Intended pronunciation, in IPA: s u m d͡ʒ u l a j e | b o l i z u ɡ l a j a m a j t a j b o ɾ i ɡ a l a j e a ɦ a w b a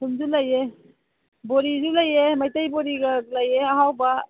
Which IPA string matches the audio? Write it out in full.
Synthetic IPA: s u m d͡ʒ u l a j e | b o ɾ i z u l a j e m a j t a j b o ɾ i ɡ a l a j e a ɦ a w b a